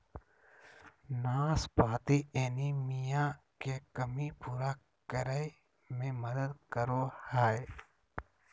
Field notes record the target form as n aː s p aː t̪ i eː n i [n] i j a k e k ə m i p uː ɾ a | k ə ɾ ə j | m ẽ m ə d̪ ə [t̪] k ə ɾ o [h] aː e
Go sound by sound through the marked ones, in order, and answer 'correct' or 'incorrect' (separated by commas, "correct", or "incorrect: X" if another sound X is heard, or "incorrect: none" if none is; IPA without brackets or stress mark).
incorrect: m, incorrect: d̪, correct